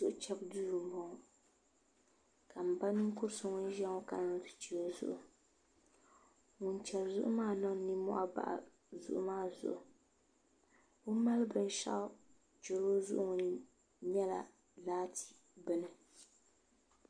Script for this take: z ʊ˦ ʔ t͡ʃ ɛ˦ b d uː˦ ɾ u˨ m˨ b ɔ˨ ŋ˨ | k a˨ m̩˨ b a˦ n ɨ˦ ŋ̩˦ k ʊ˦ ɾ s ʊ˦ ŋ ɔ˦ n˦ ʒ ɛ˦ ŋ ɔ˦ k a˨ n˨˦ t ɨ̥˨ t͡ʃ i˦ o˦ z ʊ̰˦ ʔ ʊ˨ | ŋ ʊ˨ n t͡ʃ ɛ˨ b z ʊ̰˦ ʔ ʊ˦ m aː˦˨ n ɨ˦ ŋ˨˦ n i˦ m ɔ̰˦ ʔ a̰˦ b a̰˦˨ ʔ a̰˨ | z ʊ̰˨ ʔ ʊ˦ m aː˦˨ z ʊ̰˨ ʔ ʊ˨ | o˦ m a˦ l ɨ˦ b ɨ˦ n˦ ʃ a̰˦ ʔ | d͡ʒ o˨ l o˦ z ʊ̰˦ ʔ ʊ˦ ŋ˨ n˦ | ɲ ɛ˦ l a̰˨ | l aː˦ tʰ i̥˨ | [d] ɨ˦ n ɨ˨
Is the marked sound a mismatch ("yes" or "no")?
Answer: yes